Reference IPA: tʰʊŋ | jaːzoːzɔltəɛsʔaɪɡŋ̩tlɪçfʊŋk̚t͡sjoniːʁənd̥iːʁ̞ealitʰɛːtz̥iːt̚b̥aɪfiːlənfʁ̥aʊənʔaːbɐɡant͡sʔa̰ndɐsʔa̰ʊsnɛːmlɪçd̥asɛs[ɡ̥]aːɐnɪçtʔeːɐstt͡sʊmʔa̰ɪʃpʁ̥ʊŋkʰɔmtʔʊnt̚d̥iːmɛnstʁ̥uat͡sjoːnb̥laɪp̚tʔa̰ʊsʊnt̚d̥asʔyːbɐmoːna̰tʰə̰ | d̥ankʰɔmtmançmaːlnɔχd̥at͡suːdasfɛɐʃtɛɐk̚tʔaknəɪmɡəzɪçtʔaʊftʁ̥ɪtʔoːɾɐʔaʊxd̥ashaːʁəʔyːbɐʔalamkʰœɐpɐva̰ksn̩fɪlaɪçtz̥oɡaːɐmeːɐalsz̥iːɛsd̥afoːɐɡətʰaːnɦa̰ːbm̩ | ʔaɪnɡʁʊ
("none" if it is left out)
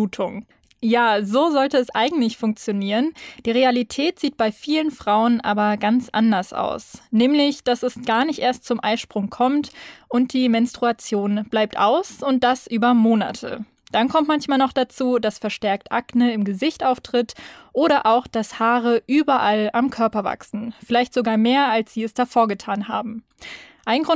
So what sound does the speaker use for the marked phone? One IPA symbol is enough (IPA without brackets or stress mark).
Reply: ɡ̥